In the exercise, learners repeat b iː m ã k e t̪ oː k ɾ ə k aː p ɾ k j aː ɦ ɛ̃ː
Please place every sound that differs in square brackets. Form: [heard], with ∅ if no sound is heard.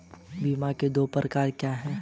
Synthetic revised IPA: b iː m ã k e [d̪] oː [p] ɾ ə k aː [∅] ɾ k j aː ɦ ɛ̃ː